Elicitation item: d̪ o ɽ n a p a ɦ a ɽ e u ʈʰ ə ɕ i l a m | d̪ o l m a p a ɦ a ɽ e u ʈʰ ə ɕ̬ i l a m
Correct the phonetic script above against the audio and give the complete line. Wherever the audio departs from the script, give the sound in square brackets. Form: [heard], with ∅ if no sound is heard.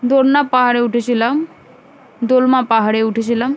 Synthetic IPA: d̪ o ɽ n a p a ɦ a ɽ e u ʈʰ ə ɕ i l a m | d̪ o l m a p a ɦ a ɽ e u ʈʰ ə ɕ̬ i l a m